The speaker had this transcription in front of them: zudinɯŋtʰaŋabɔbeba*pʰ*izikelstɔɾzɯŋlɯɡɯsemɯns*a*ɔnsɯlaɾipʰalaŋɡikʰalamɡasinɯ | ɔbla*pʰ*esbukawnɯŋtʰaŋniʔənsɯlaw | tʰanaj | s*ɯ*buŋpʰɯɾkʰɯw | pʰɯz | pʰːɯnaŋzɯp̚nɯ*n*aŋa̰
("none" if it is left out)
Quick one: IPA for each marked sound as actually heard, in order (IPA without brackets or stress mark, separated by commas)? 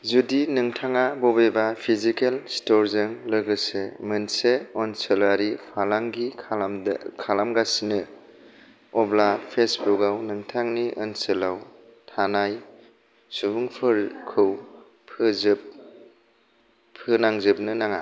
pʰ, e, pʰ, u, n